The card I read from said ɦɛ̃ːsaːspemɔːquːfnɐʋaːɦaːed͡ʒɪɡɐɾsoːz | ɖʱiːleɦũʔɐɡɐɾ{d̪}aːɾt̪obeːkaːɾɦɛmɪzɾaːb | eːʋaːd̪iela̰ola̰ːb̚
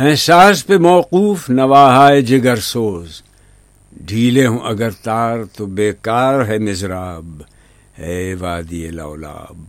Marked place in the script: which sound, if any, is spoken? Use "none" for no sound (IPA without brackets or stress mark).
t̪